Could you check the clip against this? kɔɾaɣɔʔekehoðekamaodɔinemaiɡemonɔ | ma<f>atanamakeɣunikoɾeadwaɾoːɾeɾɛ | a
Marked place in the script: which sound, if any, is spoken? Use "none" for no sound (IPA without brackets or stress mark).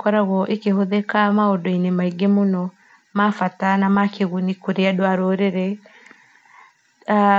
f